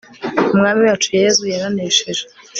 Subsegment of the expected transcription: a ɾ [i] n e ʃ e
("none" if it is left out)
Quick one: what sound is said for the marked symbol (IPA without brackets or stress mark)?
a